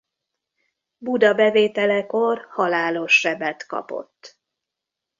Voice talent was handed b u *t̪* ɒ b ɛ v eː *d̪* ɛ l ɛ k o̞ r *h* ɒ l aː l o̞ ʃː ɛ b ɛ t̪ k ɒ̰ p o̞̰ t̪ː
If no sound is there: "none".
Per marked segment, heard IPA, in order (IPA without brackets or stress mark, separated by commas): d̪, t̪, h